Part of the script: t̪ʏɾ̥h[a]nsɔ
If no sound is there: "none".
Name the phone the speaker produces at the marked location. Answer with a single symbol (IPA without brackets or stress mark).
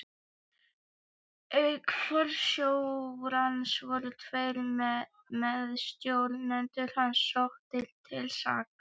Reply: a